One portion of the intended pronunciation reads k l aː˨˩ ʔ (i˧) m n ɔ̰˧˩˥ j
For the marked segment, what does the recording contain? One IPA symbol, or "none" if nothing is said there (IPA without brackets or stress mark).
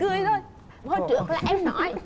ɛ˧